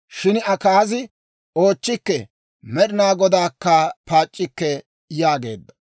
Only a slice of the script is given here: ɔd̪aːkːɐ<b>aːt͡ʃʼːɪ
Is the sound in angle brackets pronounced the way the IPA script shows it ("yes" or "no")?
no